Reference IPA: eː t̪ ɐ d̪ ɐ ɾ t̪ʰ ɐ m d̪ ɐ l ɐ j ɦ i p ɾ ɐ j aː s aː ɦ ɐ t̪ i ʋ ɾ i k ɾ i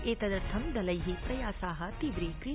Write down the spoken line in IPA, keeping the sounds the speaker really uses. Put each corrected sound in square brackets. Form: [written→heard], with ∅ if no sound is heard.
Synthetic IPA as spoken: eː t̪ ɐ d̪ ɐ ɾ t̪ʰ ɐ m d̪ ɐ l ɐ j ɦ i p ɾ ɐ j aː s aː ɦ ɐ t̪ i ʋ ɾ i k ɾ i

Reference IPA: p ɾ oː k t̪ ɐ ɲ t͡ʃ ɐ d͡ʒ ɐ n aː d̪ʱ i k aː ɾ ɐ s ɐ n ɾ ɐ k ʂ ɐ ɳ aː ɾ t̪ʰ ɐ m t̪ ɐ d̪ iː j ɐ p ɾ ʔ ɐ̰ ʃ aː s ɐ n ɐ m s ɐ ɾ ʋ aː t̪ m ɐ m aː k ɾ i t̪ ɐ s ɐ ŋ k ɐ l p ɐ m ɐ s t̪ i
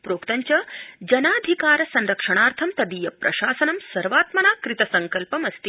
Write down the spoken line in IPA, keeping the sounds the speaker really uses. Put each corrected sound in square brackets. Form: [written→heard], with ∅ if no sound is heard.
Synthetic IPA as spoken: p ɾ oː k t̪ ɐ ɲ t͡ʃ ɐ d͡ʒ ɐ n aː d̪ʱ i k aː ɾ ɐ s ɐ n ɾ ɐ k ʂ ɐ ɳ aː ɾ t̪ʰ ɐ m t̪ ɐ d̪ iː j ɐ p ɾ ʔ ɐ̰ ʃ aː s ɐ n ɐ m s ɐ ɾ ʋ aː t̪ m ɐ [m→n] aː k ɾ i t̪ ɐ s ɐ ŋ k ɐ l p ɐ m ɐ s t̪ i

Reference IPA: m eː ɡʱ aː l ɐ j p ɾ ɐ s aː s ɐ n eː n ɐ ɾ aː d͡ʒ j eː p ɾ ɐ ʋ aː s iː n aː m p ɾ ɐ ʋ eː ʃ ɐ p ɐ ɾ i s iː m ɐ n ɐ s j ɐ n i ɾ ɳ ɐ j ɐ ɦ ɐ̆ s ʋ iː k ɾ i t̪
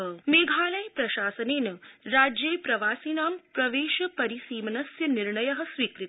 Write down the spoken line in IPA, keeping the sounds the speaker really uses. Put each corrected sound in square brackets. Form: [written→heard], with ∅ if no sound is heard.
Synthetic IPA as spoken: m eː ɡʱ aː l ɐ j p ɾ ɐ [s→ʃ] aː s ɐ n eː n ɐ ɾ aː d͡ʒ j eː p ɾ ɐ ʋ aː s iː n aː m p ɾ ɐ ʋ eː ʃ ɐ p ɐ ɾ i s iː m ɐ n ɐ s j ɐ n i ɾ ɳ ɐ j ɐ ɦ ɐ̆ s ʋ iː k ɾ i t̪

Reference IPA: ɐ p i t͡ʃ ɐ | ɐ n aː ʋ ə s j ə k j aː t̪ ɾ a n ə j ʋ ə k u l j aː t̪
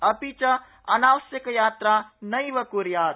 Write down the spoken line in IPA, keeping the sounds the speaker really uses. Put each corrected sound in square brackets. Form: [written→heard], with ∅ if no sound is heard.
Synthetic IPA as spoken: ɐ p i t͡ʃ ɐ | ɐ n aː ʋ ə s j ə k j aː t̪ ɾ a n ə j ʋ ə k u [l→ɾ] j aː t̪

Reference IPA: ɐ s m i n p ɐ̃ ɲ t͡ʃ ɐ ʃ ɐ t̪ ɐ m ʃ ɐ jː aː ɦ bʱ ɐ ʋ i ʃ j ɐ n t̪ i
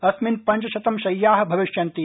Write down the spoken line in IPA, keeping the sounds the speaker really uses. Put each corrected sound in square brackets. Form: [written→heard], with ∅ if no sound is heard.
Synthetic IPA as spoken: ɐ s m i n p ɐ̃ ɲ t͡ʃ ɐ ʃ ɐ t̪ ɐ m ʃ ɐ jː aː ɦ bʱ ɐ ʋ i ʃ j ɐ n t̪ i

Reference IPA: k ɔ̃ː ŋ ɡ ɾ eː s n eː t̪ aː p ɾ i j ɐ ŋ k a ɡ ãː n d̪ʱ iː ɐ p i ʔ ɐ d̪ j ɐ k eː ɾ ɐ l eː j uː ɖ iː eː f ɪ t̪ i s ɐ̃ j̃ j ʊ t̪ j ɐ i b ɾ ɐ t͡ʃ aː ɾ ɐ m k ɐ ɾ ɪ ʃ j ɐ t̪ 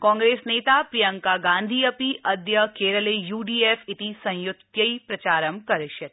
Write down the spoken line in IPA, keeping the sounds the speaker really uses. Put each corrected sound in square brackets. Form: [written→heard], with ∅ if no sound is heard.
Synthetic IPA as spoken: k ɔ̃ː ŋ ɡ ɾ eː s n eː t̪ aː p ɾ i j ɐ ŋ k a ɡ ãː n d̪ʱ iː ɐ p i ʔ ɐ d̪ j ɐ k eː ɾ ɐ l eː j uː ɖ iː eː f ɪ t̪ i s ɐ̃ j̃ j ʊ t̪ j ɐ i [b→p] ɾ ɐ t͡ʃ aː ɾ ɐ m k ɐ ɾ ɪ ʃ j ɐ t̪

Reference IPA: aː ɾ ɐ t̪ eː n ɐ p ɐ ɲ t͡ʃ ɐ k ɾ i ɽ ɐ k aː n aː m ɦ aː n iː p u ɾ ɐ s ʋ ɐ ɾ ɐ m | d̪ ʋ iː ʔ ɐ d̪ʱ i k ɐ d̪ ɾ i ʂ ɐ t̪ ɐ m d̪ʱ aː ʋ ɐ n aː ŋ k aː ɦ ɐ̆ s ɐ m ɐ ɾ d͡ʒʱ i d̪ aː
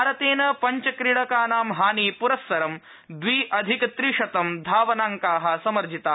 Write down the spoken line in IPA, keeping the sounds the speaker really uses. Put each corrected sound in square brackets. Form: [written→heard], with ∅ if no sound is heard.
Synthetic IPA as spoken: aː ɾ ɐ t̪ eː n ɐ p ɐ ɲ t͡ʃ ɐ k ɾ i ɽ ɐ k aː n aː m ɦ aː n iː p u ɾ ɐ s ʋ ɐ ɾ ɐ m | d̪ ʋ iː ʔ ɐ d̪ʱ i k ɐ [d̪→t̪] ɾ i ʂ ɐ t̪ ɐ m d̪ʱ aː ʋ ɐ n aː ŋ k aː ɦ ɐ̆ s ɐ m ɐ ɾ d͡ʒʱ i [d̪→t̪] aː

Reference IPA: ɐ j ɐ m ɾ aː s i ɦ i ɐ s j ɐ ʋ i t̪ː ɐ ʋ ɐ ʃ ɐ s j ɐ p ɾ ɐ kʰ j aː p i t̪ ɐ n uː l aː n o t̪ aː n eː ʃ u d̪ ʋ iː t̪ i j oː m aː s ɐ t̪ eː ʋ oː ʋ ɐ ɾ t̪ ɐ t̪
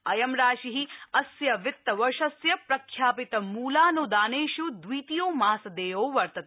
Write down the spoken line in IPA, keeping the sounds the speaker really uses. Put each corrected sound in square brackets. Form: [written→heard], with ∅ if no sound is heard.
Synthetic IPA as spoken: ɐ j ɐ m ɾ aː [s→ʃ] i ɦ i ɐ s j ɐ ʋ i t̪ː ɐ ʋ ɐ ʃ ɐ s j ɐ p ɾ ɐ kʰ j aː p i t̪ ɐ [n→m] uː l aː n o [t̪→d̪] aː n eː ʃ u d̪ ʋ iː t̪ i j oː m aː s ɐ [t̪→d̪] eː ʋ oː ʋ ɐ ɾ t̪ ɐ t̪

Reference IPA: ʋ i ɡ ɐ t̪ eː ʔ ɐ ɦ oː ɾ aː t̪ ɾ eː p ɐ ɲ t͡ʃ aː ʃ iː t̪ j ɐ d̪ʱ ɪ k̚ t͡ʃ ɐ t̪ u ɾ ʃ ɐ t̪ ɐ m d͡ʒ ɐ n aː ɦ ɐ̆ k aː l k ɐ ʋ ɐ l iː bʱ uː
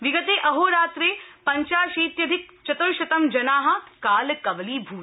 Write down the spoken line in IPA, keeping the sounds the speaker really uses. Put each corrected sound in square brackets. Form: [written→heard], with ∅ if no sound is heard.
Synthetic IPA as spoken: ʋ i ɡ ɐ t̪ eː ʔ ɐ ɦ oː ɾ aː t̪ ɾ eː p ɐ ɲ t͡ʃ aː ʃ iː t̪ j ɐ d̪ʱ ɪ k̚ t͡ʃ ɐ t̪ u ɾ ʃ ɐ t̪ ɐ m d͡ʒ ɐ n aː ɦ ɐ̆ k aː l k ɐ ʋ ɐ l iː bʱ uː

